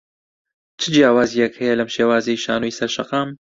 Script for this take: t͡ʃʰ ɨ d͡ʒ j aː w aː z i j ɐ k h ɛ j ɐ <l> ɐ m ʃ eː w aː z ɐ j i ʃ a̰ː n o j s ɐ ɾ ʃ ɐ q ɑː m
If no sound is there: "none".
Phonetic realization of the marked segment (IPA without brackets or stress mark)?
l